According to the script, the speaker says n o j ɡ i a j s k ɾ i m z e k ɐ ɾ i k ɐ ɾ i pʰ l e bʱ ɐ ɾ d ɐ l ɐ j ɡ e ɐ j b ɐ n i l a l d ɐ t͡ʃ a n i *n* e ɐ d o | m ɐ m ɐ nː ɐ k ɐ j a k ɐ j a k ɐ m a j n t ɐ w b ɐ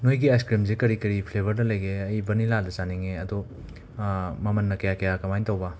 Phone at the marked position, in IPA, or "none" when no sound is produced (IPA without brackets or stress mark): ŋ